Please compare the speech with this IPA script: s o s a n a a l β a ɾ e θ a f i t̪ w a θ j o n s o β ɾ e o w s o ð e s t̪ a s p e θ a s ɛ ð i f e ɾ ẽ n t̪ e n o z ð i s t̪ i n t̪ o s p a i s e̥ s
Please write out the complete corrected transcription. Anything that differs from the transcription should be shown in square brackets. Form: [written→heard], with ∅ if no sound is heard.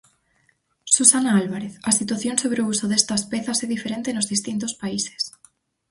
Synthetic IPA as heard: s [o→u] s a n a a l β a ɾ e θ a [f→s] i t̪ w a θ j o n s o β ɾ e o [w→u] s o ð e s t̪ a s p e θ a s ɛ ð i f e ɾ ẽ n t̪ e n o z ð i s t̪ i n t̪ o s p a i s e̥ s